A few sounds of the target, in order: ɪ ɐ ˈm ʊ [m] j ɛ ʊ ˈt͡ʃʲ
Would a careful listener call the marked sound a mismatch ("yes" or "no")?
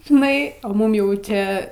no